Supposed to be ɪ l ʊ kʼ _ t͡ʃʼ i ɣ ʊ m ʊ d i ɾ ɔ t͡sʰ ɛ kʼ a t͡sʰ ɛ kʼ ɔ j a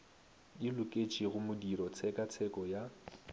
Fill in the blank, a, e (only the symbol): e